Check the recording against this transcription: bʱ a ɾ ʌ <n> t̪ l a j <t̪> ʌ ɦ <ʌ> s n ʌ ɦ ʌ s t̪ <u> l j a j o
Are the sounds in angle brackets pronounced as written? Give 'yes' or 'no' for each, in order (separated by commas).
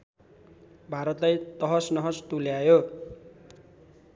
no, yes, yes, yes